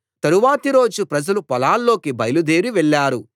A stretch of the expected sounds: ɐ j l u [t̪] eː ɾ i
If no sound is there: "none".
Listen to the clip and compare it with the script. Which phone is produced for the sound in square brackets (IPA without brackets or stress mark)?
d̪